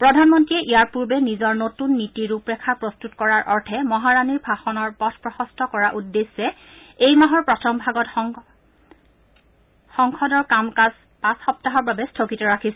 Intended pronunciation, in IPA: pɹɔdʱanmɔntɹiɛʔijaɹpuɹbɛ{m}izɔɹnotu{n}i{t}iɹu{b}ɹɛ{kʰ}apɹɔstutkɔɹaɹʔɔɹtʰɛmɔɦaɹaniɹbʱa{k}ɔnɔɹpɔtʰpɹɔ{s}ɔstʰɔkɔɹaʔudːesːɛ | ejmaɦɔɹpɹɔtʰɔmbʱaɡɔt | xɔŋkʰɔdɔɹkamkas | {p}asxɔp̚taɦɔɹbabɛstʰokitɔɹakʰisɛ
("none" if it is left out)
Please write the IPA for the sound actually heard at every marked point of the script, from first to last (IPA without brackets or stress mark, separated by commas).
n, nː, t, p, kʰ, x, x, p